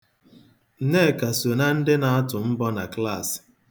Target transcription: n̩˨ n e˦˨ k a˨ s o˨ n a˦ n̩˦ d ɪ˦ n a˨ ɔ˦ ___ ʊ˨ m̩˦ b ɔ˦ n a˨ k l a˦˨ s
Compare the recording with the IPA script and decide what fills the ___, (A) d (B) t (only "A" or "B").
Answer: B